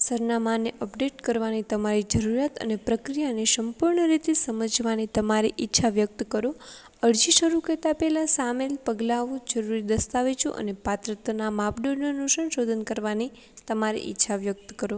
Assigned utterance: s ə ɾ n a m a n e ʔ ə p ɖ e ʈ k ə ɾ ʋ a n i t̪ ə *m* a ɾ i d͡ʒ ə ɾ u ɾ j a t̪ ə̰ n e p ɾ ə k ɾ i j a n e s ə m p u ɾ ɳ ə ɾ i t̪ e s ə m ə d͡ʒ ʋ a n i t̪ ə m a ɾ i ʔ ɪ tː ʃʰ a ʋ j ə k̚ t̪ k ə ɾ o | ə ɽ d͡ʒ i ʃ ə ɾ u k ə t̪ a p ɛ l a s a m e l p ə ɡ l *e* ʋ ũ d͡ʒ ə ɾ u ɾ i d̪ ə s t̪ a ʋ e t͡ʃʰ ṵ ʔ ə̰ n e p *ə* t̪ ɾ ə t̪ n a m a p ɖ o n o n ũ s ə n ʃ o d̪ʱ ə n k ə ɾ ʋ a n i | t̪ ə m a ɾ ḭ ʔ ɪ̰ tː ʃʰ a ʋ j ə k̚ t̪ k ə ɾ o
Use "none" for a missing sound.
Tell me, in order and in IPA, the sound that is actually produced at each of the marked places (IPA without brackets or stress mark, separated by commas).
m, a, a